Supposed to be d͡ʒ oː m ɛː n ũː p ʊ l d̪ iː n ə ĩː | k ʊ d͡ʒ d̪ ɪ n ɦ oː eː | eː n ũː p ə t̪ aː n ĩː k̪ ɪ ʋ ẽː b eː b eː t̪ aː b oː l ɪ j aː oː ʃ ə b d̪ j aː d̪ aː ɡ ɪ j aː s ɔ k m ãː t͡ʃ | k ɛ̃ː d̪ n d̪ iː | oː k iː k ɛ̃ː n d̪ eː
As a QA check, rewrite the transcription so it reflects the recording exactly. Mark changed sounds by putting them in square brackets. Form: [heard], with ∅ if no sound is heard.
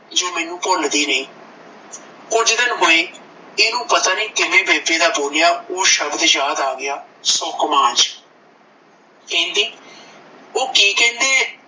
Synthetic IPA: d͡ʒ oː m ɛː n ũː p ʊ l d̪ iː n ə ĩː | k ʊ d͡ʒ d̪ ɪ n ɦ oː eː | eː n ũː p ə t̪ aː n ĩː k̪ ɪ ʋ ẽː b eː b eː [d̪] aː b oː l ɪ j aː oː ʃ ə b d̪ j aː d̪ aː ɡ ɪ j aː s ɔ k m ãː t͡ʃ | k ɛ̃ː [∅] n d̪ iː | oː k iː k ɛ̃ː n d̪ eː

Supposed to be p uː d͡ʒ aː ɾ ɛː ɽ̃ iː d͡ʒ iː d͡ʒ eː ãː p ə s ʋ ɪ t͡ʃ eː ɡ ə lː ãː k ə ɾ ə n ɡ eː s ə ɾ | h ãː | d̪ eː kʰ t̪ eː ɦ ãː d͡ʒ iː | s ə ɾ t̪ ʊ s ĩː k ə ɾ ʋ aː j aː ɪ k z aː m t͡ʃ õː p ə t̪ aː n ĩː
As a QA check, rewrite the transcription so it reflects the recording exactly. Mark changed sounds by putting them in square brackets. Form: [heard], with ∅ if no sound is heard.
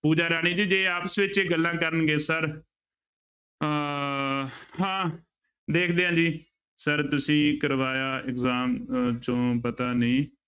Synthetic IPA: p uː d͡ʒ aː ɾ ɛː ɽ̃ iː d͡ʒ iː d͡ʒ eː [aː] p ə s ʋ ɪ t͡ʃ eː ɡ ə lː ãː k ə ɾ ə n ɡ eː s ə ɾ | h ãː | d̪ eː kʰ [d̪] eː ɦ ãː d͡ʒ iː | s ə ɾ t̪ ʊ s ĩː k ə ɾ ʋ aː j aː ɪ k z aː m t͡ʃ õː p ə t̪ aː n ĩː

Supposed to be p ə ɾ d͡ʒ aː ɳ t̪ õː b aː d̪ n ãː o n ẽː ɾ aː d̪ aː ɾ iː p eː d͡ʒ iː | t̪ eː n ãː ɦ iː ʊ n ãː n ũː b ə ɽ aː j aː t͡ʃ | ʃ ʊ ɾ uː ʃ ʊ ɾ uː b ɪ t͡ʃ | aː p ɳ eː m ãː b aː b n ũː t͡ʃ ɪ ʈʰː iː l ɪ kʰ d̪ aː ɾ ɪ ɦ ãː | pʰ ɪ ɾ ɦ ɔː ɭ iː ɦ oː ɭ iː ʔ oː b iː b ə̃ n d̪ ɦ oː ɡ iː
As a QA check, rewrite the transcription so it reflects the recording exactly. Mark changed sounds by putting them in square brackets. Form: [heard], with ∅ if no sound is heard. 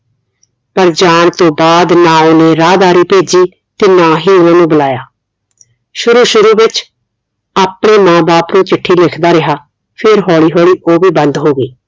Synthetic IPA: p ə ɾ d͡ʒ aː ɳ t̪ õː b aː d̪ n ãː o n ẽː ɾ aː d̪ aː ɾ iː p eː d͡ʒ iː | t̪ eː n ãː ɦ iː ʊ n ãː n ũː b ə [l] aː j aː [∅] | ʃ ʊ ɾ uː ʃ ʊ ɾ uː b ɪ t͡ʃ | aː p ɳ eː m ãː b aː [p] n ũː t͡ʃ ɪ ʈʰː iː l ɪ kʰ d̪ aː ɾ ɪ ɦ [aː] | pʰ ɪ ɾ ɦ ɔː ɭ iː ɦ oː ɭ iː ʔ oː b iː b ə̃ n d̪ ɦ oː ɡ iː

